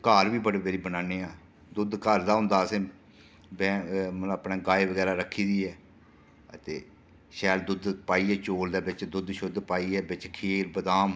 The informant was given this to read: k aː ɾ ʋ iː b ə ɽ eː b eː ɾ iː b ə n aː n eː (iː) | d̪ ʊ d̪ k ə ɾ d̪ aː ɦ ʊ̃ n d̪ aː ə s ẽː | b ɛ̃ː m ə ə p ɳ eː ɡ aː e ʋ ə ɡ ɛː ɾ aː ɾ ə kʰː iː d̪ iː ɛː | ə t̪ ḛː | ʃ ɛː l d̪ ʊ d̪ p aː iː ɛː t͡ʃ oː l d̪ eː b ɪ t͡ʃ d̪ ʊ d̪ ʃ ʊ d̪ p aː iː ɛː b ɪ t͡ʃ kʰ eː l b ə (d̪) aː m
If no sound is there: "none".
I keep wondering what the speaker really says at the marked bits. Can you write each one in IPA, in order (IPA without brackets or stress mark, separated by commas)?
aː, d̪